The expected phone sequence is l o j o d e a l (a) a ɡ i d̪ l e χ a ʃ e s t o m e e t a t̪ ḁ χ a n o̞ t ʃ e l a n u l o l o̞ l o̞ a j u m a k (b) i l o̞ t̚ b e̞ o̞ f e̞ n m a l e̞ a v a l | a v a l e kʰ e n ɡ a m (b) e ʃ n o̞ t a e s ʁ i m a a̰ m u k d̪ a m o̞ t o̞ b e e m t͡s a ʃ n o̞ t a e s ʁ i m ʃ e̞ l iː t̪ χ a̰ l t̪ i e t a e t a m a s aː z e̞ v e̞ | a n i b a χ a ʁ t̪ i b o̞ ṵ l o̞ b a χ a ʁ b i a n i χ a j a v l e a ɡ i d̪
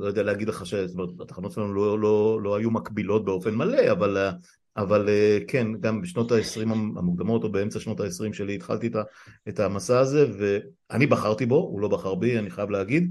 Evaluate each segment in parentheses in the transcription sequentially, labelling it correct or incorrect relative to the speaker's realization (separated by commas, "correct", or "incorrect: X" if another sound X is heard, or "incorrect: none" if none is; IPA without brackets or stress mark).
incorrect: e, correct, correct